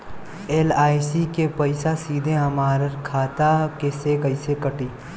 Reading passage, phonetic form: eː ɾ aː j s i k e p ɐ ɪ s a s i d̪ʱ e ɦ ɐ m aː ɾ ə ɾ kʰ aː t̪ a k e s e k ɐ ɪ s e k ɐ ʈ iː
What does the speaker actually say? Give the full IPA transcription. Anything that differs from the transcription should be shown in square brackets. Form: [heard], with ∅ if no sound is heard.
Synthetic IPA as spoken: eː [l] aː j s i k e p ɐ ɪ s a s [iː] d̪ʱ e ɦ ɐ m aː ɾ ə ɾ kʰ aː t̪ a k e s e k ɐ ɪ s e k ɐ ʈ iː